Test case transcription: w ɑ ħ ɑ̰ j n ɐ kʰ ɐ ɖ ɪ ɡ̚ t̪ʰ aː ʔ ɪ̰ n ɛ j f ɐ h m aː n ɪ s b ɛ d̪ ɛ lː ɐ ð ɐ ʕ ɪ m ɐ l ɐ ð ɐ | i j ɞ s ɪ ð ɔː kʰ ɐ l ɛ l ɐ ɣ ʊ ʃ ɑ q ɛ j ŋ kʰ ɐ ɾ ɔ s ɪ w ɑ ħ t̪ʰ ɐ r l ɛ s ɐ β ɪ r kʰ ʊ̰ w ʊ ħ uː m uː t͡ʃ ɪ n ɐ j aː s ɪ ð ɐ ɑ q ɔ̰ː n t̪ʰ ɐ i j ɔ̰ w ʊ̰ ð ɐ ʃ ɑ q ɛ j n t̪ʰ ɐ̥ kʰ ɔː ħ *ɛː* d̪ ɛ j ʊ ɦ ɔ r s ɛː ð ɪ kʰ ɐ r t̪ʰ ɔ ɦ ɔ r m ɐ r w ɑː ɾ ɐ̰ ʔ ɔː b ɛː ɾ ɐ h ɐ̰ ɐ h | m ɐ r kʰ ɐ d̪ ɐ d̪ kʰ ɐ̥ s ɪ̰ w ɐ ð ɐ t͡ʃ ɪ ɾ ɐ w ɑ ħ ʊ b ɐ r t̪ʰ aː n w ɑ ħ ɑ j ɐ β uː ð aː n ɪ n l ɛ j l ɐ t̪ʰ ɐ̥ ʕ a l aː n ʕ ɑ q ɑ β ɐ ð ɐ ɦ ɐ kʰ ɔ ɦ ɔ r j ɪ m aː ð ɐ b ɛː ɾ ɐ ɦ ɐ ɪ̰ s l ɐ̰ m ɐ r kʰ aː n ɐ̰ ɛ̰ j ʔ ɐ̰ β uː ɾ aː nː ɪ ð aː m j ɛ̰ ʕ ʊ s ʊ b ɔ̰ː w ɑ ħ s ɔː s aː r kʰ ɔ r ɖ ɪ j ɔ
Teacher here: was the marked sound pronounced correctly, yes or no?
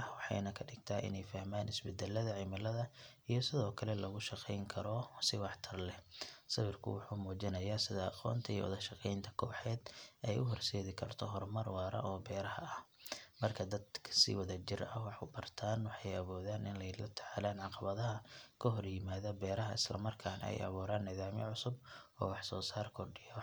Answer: yes